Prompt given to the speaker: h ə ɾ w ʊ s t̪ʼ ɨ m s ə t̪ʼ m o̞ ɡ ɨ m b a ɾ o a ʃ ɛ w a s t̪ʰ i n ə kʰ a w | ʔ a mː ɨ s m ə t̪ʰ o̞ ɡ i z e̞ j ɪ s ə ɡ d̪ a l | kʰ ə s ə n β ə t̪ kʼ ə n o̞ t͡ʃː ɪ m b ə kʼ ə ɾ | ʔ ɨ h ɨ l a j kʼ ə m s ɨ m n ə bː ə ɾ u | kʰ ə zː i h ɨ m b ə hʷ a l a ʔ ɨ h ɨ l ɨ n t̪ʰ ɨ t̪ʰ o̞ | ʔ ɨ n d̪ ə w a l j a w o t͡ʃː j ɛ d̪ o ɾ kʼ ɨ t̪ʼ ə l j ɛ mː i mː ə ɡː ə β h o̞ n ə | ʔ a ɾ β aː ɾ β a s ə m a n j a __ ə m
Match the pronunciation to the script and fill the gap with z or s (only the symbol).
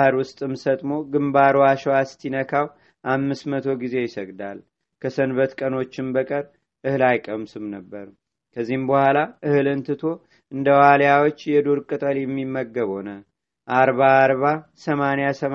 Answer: s